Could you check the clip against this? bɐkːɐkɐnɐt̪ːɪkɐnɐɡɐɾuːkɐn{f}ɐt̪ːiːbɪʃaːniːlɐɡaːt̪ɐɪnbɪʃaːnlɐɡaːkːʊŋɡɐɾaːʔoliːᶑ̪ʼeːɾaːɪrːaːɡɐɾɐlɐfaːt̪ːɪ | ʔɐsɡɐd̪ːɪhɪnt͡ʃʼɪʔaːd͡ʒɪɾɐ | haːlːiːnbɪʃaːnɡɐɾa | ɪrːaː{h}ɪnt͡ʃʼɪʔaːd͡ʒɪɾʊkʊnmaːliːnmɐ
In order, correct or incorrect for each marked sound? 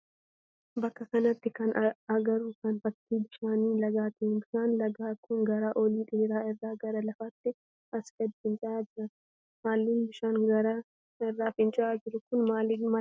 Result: correct, incorrect

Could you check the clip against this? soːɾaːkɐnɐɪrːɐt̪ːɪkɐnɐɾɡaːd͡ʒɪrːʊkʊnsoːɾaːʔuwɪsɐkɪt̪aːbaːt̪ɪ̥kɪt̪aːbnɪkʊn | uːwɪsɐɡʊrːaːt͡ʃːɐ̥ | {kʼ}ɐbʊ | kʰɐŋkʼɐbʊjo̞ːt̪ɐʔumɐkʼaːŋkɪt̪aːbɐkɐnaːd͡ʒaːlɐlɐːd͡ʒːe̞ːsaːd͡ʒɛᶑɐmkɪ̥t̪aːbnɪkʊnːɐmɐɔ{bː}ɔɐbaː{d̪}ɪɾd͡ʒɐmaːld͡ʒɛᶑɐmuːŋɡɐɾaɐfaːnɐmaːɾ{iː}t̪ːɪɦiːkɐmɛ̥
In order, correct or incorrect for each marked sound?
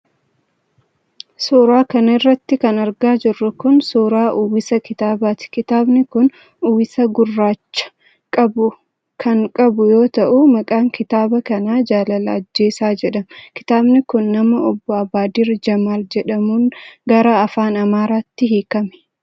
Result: correct, correct, correct, incorrect

